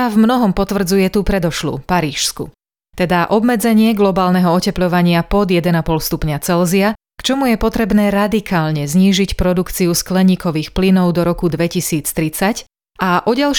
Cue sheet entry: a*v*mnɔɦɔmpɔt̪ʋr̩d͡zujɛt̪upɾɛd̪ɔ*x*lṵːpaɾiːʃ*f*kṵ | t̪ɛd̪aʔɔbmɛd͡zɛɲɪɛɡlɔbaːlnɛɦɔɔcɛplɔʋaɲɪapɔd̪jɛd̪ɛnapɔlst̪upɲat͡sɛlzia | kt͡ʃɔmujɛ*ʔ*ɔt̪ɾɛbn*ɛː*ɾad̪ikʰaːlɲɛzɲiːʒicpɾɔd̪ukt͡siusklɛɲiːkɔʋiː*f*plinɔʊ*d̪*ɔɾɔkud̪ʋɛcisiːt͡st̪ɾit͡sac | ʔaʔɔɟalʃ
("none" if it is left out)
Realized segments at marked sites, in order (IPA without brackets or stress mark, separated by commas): v, ʃ, s, p, ɛː, x, d̪